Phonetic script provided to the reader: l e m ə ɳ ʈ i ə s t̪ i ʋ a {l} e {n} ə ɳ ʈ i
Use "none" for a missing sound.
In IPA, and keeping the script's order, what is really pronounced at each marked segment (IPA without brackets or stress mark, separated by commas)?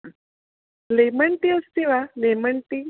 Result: l, m